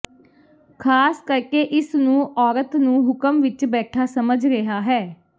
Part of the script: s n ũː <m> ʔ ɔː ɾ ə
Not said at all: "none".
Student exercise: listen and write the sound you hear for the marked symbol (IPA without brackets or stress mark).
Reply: none